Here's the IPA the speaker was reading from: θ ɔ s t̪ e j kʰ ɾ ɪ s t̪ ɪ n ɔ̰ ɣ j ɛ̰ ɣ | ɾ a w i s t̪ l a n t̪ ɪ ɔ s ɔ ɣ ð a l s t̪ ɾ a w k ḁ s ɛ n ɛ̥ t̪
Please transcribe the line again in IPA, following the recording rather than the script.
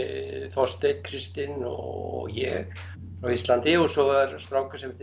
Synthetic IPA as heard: θ ɔ s t̪ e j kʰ ɾ ɪ s t̪ ɪ n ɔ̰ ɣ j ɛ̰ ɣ | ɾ a w i s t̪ l a n t̪ ɪ ɔ s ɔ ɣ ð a ɾ s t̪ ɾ a w k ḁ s ɛ m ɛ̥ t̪